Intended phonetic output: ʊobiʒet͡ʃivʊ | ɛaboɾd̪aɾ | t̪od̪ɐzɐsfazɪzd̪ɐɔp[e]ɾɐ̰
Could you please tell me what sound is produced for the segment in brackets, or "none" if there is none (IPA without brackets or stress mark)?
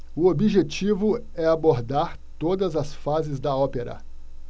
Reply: e